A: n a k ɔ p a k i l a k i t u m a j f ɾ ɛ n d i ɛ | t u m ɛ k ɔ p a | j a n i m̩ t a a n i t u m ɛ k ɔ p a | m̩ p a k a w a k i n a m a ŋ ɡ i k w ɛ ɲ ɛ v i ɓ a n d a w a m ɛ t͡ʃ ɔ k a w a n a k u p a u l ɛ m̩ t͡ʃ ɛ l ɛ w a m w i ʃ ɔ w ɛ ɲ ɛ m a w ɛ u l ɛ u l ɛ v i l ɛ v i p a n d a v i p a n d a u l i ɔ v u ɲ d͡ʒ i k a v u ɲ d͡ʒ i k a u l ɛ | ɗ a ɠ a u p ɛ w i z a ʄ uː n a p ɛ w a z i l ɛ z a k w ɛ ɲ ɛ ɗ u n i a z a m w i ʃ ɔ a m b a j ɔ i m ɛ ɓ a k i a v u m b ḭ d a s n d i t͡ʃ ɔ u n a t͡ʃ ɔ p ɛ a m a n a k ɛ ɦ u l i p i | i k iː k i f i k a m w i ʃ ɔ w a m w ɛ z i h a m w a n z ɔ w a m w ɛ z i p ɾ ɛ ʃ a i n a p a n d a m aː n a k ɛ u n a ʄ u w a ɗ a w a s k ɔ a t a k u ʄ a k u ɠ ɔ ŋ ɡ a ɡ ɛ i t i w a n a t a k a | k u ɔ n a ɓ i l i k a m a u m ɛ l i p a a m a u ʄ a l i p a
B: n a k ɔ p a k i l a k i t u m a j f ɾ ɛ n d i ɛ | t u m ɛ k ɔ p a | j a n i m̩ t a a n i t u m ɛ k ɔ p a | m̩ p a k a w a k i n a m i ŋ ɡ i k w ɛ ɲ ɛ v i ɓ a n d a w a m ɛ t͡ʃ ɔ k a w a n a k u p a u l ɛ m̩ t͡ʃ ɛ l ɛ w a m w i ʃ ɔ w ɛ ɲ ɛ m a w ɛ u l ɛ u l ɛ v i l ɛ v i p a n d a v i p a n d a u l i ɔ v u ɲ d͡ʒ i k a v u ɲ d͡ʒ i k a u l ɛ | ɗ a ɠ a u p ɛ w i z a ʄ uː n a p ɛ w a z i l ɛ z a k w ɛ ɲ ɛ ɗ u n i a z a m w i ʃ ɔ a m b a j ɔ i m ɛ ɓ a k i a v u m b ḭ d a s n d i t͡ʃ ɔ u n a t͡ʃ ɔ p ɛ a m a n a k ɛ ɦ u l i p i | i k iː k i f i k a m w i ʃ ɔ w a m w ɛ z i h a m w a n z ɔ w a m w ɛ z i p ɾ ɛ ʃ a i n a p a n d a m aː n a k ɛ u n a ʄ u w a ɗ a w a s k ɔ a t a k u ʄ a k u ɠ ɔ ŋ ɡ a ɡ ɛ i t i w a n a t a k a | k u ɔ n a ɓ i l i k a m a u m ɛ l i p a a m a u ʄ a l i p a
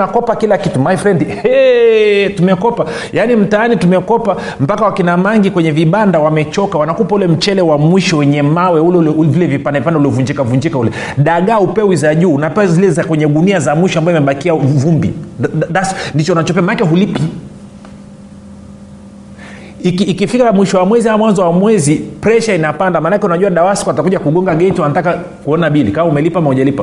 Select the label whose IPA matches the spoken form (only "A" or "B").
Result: A